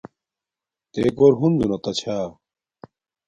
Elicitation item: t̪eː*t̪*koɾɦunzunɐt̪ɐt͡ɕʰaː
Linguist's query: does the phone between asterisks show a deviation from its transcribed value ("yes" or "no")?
yes